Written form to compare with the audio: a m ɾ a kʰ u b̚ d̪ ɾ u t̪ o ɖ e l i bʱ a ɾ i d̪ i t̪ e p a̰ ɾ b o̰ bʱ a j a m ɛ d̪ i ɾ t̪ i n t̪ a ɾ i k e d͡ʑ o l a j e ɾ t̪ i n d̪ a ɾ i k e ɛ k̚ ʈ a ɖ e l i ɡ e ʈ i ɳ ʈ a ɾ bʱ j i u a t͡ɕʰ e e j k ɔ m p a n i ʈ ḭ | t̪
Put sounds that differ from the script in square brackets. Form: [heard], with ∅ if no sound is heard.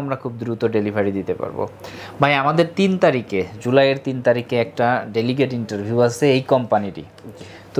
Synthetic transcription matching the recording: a m ɾ a kʰ u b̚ d̪ ɾ u t̪ o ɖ e l i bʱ a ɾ i d̪ i t̪ e p a̰ ɾ b o̰ bʱ a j a m [a] d̪ [e] ɾ t̪ i n t̪ a ɾ i k e d͡ʑ [u] l a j e ɾ t̪ i n [t̪] a ɾ i k e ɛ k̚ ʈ a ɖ e l i ɡ e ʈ i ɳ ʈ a ɾ bʱ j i u a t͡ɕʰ e e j k ɔ m p a n i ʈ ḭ | t̪